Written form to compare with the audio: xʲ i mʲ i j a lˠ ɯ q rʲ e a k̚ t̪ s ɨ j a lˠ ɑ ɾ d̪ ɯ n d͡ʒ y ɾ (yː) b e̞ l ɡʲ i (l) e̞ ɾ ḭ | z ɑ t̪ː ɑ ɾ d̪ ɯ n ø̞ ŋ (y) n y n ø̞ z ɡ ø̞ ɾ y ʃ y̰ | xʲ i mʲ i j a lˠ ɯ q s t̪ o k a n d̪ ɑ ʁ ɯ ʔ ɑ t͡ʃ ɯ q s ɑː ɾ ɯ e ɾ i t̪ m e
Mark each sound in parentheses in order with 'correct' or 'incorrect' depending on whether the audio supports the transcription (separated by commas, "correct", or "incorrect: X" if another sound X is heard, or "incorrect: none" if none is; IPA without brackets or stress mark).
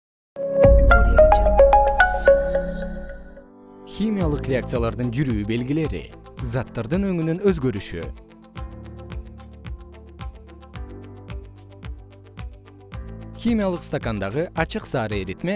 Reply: correct, correct, correct